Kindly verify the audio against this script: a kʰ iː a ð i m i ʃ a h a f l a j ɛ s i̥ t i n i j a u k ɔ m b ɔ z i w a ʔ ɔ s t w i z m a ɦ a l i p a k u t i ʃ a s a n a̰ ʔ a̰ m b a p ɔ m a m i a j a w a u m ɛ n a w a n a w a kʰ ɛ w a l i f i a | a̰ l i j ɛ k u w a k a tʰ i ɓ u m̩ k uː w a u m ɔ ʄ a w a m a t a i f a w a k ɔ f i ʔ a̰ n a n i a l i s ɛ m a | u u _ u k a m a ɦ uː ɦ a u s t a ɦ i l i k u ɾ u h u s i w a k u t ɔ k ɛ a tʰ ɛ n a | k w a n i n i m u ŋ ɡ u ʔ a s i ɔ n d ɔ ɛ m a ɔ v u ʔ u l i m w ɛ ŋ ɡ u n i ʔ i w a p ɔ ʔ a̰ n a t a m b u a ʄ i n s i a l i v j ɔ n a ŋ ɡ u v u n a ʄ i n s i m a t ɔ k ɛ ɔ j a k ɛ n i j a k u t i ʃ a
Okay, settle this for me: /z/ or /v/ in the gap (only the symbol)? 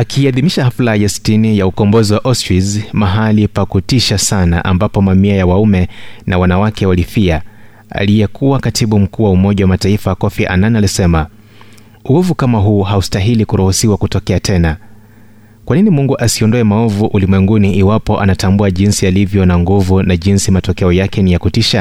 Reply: v